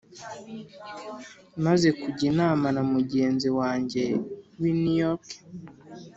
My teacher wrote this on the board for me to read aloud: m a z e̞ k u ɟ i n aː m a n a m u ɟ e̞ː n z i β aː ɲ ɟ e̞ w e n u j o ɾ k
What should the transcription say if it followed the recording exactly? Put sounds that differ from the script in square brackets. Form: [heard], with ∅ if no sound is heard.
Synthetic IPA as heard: m a z e̞ k u ɟ i n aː m a n a m u ɟ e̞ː n z i [w] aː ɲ ɟ e̞ w [i] n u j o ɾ k